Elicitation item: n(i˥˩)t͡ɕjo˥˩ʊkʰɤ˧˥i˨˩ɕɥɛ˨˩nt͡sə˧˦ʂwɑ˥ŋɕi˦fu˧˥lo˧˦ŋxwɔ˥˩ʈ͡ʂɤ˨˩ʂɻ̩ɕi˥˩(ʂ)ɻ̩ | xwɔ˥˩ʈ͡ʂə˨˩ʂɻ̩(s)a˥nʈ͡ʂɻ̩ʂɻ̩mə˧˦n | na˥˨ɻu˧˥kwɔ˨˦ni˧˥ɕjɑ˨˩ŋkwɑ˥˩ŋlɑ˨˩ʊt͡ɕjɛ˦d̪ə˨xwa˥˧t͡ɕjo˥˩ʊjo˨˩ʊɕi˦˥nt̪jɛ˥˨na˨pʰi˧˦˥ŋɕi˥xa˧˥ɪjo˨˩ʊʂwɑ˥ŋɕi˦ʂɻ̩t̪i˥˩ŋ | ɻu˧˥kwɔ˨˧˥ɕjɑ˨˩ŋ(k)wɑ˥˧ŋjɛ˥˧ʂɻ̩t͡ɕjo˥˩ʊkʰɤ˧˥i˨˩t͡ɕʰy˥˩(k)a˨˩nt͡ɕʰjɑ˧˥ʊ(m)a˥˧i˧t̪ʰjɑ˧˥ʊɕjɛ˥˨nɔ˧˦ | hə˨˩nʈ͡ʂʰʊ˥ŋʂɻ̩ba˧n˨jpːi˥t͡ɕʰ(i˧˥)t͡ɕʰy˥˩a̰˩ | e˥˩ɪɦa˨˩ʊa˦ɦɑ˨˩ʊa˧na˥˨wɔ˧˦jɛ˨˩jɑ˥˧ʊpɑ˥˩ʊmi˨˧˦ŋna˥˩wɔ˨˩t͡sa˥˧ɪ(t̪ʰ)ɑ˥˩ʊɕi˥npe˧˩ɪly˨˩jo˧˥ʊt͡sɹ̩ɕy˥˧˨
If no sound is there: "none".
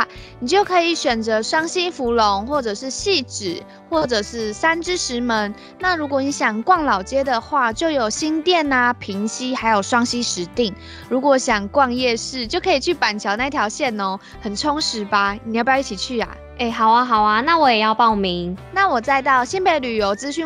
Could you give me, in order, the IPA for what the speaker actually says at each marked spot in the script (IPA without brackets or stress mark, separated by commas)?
i˨˩, ʈ͡ʂ, s, k, p, n, i˨˩, t̪